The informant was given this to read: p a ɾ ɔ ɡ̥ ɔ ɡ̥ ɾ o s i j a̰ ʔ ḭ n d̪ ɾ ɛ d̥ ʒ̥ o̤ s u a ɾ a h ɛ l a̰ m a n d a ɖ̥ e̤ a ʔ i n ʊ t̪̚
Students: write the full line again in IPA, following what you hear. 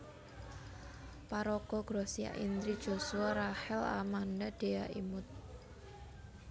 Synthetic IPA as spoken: p a ɾ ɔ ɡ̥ ɔ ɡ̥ ɾ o s i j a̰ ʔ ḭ n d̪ ɾ i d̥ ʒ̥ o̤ s u a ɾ a h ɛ l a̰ m a n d a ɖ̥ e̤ a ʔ i m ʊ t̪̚